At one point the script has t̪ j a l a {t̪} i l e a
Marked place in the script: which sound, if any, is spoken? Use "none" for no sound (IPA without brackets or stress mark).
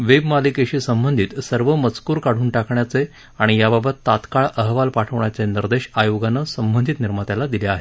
d̪